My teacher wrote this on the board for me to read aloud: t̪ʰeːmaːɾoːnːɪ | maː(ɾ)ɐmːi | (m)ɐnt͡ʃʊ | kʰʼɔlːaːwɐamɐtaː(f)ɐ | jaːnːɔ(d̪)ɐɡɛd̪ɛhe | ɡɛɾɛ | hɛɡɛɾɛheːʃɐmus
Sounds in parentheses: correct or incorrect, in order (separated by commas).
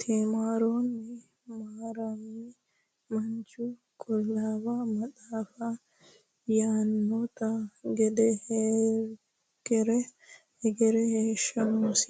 correct, correct, correct, incorrect